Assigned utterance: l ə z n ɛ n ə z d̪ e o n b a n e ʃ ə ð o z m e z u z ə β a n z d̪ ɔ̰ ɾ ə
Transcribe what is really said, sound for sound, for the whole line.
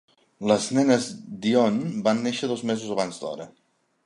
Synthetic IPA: l ə z n ɛ n ə z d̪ i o n b a nː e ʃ ə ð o z m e z u z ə β a n z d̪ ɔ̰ ɾ ə